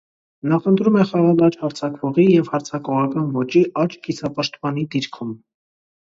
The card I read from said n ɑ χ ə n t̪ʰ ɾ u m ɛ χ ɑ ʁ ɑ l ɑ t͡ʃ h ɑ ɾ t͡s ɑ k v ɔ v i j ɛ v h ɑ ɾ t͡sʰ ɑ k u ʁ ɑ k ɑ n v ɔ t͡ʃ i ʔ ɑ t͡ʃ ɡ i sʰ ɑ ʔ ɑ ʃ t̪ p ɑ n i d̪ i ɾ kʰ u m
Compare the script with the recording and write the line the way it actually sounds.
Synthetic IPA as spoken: n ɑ χ ə n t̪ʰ ɾ u m ɛ χ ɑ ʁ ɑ l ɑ t͡ʃ h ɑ ɾ t͡sʰ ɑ k v ɔ ʁ i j ɛ v h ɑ ɾ t͡sʰ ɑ k ɔ ʁ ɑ k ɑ n v ɔ t͡ʃ i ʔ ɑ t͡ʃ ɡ i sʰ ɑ p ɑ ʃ t̪ p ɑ n i d̪ i ɾ kʰ u m